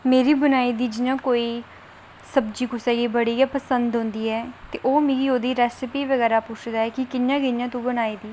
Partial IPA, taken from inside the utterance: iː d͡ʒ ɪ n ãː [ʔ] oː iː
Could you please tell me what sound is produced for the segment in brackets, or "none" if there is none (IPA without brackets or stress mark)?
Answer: k